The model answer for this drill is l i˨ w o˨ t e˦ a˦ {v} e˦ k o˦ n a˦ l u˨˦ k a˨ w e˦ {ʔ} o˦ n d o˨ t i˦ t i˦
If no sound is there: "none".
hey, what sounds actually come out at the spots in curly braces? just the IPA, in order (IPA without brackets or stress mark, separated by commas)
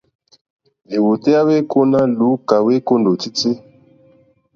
w, k